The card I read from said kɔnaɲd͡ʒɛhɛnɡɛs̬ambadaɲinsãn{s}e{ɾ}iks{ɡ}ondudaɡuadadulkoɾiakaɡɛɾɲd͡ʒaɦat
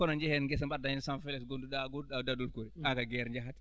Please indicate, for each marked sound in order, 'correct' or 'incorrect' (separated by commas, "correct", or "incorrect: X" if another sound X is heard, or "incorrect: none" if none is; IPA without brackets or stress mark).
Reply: incorrect: f, incorrect: l, correct